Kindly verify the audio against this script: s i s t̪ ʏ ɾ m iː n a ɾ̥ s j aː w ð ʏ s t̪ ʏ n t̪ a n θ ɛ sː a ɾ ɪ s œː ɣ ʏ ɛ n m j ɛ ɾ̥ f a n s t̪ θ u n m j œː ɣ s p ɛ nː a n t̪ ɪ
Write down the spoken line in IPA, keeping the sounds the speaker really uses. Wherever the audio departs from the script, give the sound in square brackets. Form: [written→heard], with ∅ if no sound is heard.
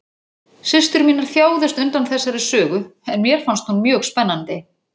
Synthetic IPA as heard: s [i→ɪ] s t̪ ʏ ɾ m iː n a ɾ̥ [s→θ] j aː w ð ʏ s t̪ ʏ n t̪ a n θ ɛ sː a ɾ ɪ s œː ɣ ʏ ɛ n m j ɛ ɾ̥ f a n s t̪ [θ→h] u n m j œː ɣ s p ɛ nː a n t̪ ɪ